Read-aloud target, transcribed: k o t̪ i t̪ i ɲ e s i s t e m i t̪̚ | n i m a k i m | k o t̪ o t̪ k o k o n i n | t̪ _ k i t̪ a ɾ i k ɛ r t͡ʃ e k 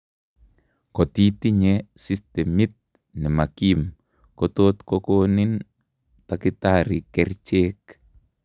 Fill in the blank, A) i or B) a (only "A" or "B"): B